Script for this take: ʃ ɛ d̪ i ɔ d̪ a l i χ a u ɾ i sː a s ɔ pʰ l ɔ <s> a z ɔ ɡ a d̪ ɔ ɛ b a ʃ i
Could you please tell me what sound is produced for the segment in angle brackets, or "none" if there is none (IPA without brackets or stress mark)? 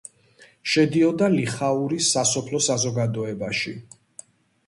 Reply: s